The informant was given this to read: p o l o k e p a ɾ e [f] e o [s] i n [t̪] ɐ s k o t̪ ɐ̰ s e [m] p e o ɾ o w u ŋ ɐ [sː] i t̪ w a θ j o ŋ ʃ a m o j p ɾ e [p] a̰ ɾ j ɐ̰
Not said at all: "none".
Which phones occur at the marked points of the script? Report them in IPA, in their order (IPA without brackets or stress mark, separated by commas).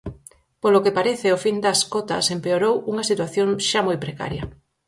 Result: θ, f, d̪, m, s, k